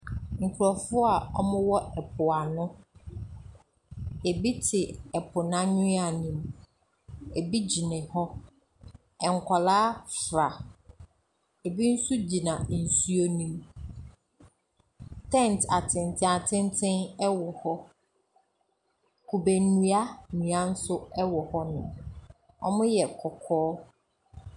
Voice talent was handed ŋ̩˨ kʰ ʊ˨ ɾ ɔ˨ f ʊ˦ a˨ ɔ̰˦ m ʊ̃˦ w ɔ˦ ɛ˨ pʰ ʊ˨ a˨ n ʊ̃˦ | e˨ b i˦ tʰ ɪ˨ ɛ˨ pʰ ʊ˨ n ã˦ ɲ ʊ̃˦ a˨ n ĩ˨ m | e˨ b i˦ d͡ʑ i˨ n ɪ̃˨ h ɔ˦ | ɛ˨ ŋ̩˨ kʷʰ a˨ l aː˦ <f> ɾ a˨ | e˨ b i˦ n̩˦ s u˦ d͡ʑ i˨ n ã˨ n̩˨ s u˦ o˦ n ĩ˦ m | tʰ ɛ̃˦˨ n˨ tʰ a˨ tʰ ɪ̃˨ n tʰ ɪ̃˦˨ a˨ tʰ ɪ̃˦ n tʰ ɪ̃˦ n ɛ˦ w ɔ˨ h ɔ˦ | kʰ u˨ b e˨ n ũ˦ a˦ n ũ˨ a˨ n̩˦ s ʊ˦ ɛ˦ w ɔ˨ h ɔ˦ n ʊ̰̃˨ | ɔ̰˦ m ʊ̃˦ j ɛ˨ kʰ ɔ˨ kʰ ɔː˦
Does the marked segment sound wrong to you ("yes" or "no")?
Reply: no